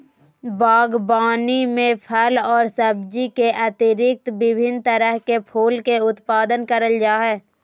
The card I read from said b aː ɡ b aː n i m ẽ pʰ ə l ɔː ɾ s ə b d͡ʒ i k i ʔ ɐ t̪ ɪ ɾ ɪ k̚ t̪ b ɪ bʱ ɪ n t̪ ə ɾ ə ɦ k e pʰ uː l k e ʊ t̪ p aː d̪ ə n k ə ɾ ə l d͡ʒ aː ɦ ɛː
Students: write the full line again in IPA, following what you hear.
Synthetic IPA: b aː ɡ b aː n i m ẽ pʰ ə l ɔː ɾ s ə b d͡ʒ i k e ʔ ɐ t̪ ɪ ɾ ɪ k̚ t̪ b ɪ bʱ ɪ n t̪ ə ɾ ə ɦ k e pʰ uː l k e ʊ t̪ p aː d̪ ə n k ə ɾ ə l d͡ʒ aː ɦ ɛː